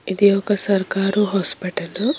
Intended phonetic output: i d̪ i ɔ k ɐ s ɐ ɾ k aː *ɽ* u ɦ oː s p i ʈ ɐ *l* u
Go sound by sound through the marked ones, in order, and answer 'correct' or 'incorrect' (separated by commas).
incorrect, correct